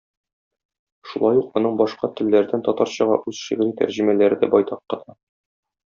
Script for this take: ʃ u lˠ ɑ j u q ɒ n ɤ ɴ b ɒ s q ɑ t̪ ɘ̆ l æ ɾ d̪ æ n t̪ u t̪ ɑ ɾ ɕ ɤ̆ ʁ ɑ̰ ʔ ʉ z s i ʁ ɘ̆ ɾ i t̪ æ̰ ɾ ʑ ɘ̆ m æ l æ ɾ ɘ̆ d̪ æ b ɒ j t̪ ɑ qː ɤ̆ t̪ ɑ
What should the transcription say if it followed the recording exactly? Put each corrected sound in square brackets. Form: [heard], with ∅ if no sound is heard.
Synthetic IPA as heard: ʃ u lˠ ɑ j u q ɒ n ɤ ɴ b ɒ [ʃ] q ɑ t̪ ɘ̆ [lː] æ ɾ d̪ æ n t̪ [ɒ] t̪ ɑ ɾ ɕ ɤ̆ ʁ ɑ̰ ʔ ʉ z [ʃ] i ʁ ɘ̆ ɾ i t̪ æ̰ ɾ ʑ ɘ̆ m æ l æ ɾ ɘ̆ d̪ æ b ɒ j t̪ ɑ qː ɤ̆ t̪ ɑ

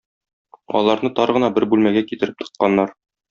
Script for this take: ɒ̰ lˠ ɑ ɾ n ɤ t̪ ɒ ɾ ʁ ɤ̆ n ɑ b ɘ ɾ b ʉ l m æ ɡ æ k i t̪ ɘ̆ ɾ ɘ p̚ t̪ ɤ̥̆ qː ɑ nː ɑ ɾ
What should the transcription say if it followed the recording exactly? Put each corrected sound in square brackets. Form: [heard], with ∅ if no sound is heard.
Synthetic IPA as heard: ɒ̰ lˠ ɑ ɾ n ɤ t̪ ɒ ɾ ʁ ɤ̆ n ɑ b ɘ ɾ b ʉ l m æ ɡ æ k i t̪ ɘ̆ ɾ ɘ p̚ t̪ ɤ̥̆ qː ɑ nː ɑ ɾ

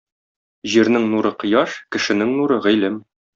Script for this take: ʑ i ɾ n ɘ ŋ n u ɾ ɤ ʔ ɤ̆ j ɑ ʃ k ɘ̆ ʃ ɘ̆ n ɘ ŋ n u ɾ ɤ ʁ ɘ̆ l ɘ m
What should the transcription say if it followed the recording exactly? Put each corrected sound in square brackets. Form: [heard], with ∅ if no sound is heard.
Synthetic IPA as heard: ʑ i ɾ n ɘ ŋ n u ɾ ɤ [q] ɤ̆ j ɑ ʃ k ɘ̆ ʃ ɘ̆ n ɘ ŋ n u ɾ ɤ ʁ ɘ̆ l ɘ m

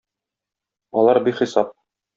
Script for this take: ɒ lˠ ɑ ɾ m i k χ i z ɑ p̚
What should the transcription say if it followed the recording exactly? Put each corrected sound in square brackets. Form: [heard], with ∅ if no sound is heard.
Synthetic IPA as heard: ɒ lˠ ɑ ɾ [b] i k χ i [s] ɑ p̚

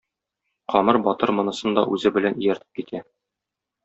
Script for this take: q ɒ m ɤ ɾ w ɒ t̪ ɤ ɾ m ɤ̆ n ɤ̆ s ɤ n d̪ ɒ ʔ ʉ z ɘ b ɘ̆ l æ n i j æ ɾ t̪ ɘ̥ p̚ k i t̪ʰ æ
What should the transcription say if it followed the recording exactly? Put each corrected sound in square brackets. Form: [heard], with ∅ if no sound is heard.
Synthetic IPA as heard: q ɒ m ɤ ɾ [b] ɒ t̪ ɤ ɾ m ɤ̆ n ɤ̆ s ɤ n d̪ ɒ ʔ ʉ z ɘ b ɘ̆ l æ n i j æ ɾ t̪ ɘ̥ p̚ k i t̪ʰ æ

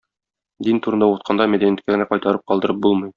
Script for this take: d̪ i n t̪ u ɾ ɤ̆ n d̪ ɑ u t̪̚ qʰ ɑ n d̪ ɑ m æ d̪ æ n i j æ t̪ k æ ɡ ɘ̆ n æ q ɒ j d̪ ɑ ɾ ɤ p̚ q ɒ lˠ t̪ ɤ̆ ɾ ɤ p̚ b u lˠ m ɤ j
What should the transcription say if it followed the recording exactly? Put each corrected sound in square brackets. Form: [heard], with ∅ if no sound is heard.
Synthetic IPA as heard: d̪ i n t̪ u ɾ ɤ̆ n d̪ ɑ u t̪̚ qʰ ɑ n d̪ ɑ m æ d̪ æ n i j æ t̪ k æ ɡ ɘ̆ n æ q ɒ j [t̪] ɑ ɾ ɤ p̚ q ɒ lˠ [d̪] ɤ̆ ɾ ɤ p̚ b u lˠ m ɤ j

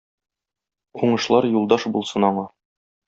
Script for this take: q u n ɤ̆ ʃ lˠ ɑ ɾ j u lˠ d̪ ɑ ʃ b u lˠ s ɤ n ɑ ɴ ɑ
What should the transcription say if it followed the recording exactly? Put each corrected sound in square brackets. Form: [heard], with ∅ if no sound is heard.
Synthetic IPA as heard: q u [ɴ] ɤ̆ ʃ lˠ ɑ ɾ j u lˠ d̪ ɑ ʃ b u lˠ s ɤ n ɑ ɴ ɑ

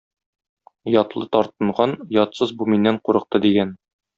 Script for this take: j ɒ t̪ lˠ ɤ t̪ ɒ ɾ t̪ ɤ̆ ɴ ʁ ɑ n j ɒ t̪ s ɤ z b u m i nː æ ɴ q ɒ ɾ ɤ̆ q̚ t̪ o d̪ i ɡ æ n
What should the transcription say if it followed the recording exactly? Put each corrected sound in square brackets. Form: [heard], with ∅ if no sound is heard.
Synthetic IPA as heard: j ɒ t̪ lˠ ɤ t̪ ɒ ɾ t̪ ɤ̆ ɴ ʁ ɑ n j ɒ t̪ s ɤ z b u m i nː æ ɴ q [u] ɾ ɤ̆ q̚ t̪ [ɤ] d̪ i ɡ æ n

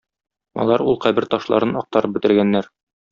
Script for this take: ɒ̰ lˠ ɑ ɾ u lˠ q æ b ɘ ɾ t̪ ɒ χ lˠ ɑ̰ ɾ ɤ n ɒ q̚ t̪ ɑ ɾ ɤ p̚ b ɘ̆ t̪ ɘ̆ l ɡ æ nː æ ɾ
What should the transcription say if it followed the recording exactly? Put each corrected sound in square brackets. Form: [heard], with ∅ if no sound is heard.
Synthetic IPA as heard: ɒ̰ lˠ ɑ ɾ u lˠ q æ b ɘ ɾ t̪ ɒ [ʃ] lˠ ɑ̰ ɾ ɤ n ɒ q̚ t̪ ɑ ɾ ɤ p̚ b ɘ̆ t̪ ɘ̆ [ɾ] ɡ æ nː æ ɾ

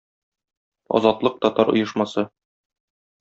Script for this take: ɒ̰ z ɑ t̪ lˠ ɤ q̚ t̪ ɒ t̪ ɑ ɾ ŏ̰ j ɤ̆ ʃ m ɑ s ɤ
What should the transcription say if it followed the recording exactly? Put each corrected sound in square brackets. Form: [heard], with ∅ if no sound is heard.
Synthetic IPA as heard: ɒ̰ z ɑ t̪ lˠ ɤ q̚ t̪ ɒ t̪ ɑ ɾ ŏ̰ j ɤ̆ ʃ m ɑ s ɤ

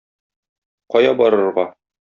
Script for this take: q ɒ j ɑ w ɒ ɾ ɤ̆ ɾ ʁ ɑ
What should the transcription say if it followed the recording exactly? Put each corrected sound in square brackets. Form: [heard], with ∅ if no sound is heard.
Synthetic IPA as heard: q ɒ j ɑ [b] ɒ ɾ ɤ̆ ɾ ʁ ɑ

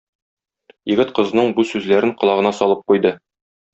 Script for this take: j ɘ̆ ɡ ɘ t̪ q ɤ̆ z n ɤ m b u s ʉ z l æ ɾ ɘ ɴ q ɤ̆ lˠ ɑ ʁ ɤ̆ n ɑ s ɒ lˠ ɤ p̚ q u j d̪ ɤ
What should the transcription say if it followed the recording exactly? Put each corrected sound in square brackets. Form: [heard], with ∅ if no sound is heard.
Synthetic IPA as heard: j ɘ̆ ɡ ɘ t̪ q ɤ̆ z n ɤ [ɴ] b u s ʉ z l æ ɾ ɘ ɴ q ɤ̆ lˠ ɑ ʁ ɤ̆ n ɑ s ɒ lˠ ɤ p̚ q u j d̪ ɤ

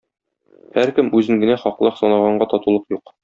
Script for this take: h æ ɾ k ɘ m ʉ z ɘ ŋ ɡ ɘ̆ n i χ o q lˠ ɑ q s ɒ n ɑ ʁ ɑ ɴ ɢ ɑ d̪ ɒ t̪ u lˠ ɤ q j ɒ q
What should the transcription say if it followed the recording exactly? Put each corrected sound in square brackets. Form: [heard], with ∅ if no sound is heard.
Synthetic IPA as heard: h æ ɾ k ɘ m ʉ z ɘ ŋ ɡ ɘ̆ n [æ] χ [ɒ] q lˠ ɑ q s ɒ n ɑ ʁ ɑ ɴ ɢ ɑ [t̪] ɒ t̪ u lˠ ɤ q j [u] q

